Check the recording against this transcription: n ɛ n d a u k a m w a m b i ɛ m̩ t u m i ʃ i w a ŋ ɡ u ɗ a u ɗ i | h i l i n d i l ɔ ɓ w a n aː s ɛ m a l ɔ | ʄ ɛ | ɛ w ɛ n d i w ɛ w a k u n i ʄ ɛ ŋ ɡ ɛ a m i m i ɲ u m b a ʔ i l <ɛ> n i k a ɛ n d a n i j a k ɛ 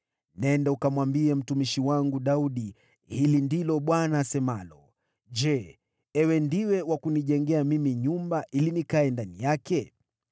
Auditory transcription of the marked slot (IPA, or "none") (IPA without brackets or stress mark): i